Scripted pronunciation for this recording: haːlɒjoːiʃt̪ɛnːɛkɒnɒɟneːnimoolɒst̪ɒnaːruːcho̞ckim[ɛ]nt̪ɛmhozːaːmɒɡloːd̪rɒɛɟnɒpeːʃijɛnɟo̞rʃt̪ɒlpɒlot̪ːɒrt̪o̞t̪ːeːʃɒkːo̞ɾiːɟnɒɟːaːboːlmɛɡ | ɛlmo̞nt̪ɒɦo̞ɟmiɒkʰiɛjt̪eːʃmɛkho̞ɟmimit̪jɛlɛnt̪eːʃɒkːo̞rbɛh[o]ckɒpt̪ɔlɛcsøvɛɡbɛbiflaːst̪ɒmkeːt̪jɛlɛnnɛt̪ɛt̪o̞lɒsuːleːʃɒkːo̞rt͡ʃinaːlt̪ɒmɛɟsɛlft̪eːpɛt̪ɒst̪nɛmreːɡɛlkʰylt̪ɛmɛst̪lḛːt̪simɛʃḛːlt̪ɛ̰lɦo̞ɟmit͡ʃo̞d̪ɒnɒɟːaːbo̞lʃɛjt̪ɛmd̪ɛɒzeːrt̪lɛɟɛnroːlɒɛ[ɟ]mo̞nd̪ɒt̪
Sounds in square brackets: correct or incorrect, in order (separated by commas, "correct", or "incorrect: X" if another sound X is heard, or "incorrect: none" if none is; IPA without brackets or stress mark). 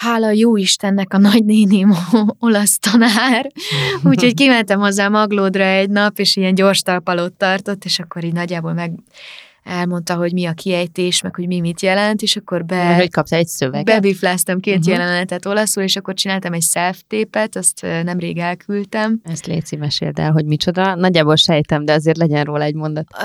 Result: correct, correct, correct